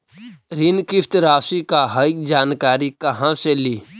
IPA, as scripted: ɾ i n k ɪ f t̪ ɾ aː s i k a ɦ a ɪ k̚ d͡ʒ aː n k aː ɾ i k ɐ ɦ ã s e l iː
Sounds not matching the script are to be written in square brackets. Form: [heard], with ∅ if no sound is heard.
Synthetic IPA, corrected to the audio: ɾ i n k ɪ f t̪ ɾ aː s i k a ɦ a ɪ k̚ d͡ʒ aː n k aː ɾ i k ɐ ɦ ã s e l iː